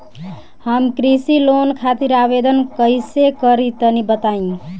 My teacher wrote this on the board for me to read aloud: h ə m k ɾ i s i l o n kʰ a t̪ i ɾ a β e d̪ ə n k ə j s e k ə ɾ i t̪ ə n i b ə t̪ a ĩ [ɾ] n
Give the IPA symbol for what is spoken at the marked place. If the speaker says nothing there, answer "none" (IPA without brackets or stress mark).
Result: none